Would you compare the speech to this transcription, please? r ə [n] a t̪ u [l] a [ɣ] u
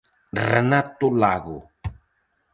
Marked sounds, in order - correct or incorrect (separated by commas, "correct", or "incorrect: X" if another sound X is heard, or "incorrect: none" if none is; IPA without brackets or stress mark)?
correct, correct, correct